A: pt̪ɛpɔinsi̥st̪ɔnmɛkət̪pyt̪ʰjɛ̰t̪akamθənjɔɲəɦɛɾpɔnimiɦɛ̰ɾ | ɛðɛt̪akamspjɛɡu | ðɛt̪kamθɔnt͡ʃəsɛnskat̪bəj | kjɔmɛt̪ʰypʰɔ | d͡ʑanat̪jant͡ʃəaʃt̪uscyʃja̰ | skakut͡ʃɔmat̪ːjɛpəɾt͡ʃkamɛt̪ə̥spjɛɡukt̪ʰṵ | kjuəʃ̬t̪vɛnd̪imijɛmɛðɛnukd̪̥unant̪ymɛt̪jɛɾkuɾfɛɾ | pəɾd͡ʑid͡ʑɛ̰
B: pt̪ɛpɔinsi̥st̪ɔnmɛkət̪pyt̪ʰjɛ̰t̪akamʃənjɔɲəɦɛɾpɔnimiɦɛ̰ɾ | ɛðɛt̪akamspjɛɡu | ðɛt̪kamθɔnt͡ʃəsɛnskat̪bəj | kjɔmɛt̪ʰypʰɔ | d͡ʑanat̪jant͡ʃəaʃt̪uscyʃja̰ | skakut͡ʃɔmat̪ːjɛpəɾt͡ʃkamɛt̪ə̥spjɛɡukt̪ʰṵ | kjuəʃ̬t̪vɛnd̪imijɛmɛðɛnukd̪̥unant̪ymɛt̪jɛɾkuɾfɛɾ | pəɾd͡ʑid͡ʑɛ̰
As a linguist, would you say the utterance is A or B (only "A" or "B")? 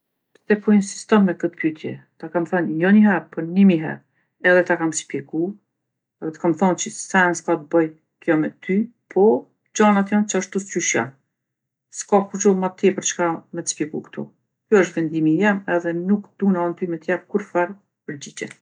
A